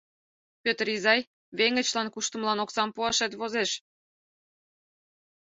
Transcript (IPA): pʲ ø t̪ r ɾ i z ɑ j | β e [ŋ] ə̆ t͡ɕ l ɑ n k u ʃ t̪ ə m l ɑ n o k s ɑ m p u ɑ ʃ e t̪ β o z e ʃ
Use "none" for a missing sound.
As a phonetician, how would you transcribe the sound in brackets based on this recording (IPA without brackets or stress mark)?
ŋ